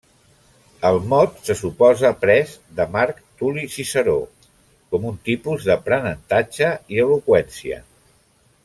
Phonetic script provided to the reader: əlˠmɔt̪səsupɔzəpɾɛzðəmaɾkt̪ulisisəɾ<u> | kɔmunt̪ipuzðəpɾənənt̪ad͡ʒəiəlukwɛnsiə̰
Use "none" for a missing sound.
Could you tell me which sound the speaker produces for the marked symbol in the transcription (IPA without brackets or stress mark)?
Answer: o